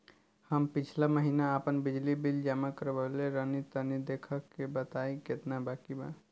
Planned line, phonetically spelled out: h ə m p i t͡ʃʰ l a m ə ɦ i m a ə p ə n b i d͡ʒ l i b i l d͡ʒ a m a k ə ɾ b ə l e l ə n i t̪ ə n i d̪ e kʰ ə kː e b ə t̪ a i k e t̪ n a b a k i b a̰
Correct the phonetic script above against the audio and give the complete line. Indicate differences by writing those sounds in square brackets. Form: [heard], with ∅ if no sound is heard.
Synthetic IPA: h ə m p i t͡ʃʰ l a m ə ɦ i [n] a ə p ə n b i d͡ʒ l i b i l d͡ʒ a m a k ə ɾ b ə l e [ɾ] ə n i t̪ ə n i d̪ e kʰ ə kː e b ə t̪ a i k e t̪ n a b a k i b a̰